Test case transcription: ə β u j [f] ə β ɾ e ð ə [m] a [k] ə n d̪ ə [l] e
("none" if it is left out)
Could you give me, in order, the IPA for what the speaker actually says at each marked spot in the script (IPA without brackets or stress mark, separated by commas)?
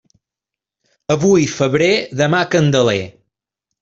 f, m, k, l